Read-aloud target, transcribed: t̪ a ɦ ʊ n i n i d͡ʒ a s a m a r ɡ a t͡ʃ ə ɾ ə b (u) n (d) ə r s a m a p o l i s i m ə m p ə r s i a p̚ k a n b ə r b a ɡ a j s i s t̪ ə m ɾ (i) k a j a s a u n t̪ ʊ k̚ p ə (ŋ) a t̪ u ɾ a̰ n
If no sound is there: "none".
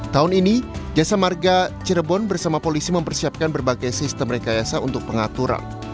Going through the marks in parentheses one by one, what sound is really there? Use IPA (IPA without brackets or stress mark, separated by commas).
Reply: ɔ, b, e, ŋ